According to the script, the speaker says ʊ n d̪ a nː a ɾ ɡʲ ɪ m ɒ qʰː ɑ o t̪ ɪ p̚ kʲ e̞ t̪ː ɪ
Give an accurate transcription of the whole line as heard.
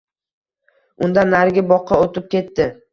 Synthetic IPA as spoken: ʊ n d̪ a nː a ɾ ɡʲ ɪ b ɒ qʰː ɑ o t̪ ɪ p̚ kʲ e̞ t̪ː ɪ

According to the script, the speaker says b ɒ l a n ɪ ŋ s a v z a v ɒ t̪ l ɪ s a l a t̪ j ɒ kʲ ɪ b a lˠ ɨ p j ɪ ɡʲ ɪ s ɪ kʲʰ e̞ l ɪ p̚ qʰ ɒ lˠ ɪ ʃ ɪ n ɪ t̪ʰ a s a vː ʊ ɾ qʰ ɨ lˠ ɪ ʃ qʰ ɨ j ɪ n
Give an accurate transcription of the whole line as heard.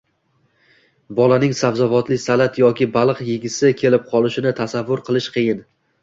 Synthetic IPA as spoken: b ɒ l a n ɪ ŋ s a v z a v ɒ t̪ l ɪ s a l a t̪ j ɒ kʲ ɪ b a lˠ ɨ q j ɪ ɡʲ ɪ s ɪ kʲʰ e̞ l ɪ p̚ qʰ ɒ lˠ ɪ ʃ ɪ n ɪ t̪ʰ a s a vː ʊ ɾ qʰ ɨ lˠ ɪ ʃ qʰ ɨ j ɪ n

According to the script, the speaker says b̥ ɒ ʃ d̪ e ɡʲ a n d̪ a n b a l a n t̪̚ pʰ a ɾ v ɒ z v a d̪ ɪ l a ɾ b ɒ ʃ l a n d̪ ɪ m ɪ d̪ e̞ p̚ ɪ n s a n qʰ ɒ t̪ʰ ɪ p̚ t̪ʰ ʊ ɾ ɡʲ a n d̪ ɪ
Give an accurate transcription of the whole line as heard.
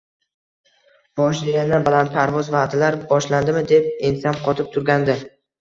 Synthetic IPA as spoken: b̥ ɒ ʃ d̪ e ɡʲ a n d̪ a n b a l a n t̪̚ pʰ a ɾ v ɒ z v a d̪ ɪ l a ɾ b ɒ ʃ l a n d̪ ɪ m ɪ d̪ e̞ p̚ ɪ n s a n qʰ ɒ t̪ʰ ɪ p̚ t̪ʰ ʊ ɾ ɡʲ a n d̪ ɪ

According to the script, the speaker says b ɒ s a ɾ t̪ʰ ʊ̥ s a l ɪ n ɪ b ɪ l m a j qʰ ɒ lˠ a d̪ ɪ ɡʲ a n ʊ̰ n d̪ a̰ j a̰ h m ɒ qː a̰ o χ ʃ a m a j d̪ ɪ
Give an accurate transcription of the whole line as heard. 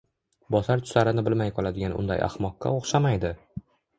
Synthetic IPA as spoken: b ɒ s a ɾ t̪ʰ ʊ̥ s a ɾ ɪ n ɪ b ɪ l m a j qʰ ɒ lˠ a d̪ ɪ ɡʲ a n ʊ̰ n d̪ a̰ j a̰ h m ɒ qː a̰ o χ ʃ a m a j d̪ ɪ

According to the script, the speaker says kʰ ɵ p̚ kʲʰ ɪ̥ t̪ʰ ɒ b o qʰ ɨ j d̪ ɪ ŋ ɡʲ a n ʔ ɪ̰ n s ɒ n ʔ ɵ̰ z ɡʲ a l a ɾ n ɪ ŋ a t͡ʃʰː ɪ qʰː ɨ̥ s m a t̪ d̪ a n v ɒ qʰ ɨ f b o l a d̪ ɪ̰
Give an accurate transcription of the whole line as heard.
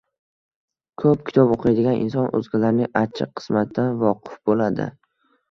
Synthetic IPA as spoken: kʰ ɵ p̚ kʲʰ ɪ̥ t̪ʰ ɒ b o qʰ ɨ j d̪ ɪ ɡʲ a n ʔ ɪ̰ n s ɒ n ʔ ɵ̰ z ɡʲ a l a ɾ n ɪ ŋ a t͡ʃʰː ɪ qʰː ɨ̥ s m a t̪ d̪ a n v ɒ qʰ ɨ f b o l a d̪ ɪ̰

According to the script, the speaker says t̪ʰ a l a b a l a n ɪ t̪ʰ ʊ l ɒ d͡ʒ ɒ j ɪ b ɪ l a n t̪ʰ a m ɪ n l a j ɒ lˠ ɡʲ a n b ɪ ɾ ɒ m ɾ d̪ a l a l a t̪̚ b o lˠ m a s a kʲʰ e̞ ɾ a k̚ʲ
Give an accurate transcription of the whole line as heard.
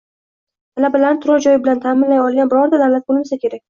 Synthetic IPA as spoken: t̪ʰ a l a b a l a n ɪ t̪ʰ ʊ ɾ ɒ d͡ʒ ɒ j ɪ b ɪ l a n t̪ʰ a m ɪ n l a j ɒ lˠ ɡʲ a n b ɪ ɾ ɒ ɾ d̪ a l a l a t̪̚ b o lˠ m a s a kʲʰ e̞ ɾ a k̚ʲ

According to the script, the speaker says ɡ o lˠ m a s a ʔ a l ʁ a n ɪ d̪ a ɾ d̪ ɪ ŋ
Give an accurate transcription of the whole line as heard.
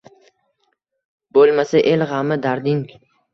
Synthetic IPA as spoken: b o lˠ m a s a ʔ e l ʁ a m ɪ d̪ a ɾ d̪ ɪ ŋ

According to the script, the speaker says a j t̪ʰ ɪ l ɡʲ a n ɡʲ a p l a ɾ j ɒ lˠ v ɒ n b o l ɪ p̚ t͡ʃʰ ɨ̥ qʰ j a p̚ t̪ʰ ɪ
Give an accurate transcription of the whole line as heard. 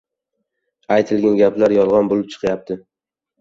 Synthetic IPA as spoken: a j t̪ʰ ɪ l ɡʲ a n ɡʲ a p l a ɾ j ɒ lˠ ʁ ɒ n b o l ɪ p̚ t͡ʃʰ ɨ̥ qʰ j a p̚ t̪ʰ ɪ

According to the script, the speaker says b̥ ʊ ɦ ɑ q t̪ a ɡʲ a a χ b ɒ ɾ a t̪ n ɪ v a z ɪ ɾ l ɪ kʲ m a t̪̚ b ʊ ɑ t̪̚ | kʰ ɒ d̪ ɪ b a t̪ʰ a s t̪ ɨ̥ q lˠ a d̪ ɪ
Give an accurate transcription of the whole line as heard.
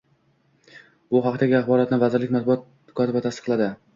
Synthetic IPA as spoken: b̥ ʊ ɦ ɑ q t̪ a ɡʲ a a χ b ɒ ɾ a t̪ n ɪ v a z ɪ ɾ l ɪ kʲ m a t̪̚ b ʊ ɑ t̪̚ | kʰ ɒ t̪ ɪ b a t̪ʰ a s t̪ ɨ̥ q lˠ a d̪ ɪ

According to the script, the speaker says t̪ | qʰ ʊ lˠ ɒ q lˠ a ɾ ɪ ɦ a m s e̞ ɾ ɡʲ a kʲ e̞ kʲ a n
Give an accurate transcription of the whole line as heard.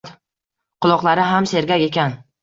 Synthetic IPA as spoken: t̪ | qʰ ʊ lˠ ɒ q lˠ a ɾ ɪ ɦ a m s e̞ ɾ ɡʲ a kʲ e̞ kʲ a n

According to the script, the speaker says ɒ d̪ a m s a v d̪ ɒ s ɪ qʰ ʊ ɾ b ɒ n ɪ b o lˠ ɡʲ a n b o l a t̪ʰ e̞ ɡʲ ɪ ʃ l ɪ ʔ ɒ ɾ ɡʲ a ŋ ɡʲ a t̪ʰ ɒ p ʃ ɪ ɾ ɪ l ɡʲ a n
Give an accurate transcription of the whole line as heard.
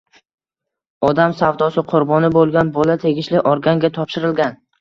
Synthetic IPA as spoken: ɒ d̪ a m s a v d̪ ɒ s ɪ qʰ ʊ ɾ b ɒ n ɪ b o lˠ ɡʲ a n b ɒ l a t̪ʰ e̞ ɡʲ ɪ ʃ l ɪ ʔ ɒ ɾ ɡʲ a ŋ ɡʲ a t̪ʰ ɒ p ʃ ɪ ɾ ɪ l ɡʲ a n

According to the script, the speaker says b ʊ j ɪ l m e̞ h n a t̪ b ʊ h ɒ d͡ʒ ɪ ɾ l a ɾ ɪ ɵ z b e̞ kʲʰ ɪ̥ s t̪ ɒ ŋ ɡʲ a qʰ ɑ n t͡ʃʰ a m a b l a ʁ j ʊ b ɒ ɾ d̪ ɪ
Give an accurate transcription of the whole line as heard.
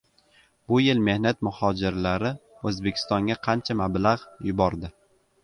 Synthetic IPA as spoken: b ʊ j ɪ l m e̞ h n a t̪ m ʊ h ɒ d͡ʒ ɪ ɾ l a ɾ ɪ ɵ z b e̞ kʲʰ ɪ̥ s t̪ ɒ ŋ ɡʲ a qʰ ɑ n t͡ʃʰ a m a b l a ʁ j ʊ b ɒ ɾ d̪ ɪ

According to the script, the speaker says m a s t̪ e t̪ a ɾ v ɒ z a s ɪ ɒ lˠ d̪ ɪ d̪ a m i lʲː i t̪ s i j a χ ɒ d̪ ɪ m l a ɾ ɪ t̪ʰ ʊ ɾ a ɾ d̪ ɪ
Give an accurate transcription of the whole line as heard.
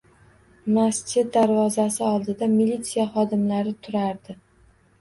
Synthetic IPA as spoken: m a s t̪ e d̪ a ɾ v ɒ z a s ɪ ɒ lˠ d̪ ɪ d̪ a m i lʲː i t̪ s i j a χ ɒ d̪ ɪ m l a ɾ ɪ t̪ʰ ʊ ɾ a ɾ d̪ ɪ

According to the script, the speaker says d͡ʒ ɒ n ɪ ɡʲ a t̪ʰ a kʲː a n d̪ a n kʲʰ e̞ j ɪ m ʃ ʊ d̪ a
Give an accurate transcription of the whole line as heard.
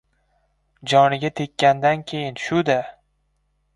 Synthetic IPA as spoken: d͡ʒ ɒ n ɪ ɡʲ a t̪ʰ e kʲː a n d̪ a n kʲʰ e̞ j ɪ n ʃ ʊ d̪ a

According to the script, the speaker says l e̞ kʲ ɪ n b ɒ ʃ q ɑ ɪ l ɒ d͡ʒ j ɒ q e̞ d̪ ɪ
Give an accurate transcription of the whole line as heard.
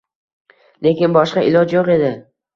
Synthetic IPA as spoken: l e̞ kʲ ɪ n b ɒ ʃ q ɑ ɪ l ɒ d͡ʒ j o q e̞ d̪ ɪ

